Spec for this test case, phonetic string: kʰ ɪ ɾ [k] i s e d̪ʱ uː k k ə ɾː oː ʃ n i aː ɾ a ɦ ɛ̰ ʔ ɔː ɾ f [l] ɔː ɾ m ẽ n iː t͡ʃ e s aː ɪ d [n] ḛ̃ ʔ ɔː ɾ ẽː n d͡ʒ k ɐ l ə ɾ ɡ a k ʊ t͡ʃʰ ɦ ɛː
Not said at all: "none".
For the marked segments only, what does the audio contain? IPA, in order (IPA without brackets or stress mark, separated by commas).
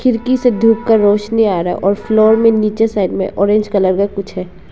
k, l, m